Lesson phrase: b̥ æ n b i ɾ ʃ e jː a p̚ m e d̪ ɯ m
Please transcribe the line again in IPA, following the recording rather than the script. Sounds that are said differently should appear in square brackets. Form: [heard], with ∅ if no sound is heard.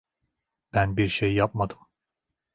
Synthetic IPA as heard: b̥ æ n b i ɾ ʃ e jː a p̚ m [a] d̪ ɯ m